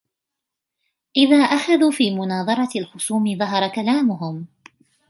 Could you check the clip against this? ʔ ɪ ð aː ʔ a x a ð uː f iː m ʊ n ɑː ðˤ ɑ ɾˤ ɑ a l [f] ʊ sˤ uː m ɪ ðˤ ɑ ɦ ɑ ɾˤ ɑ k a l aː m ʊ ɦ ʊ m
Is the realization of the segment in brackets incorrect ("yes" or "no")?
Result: yes